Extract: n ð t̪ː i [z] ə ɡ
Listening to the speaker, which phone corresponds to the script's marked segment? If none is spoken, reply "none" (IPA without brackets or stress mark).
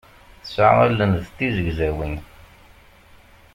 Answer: z